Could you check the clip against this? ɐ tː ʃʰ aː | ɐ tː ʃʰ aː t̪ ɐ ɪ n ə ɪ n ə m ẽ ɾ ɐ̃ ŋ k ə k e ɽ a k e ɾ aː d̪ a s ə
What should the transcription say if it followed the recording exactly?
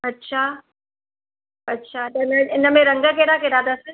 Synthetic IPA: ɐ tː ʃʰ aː | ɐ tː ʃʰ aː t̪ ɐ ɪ n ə ɪ n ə m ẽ ɾ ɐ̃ ŋ ɡ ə k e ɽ a k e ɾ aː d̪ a s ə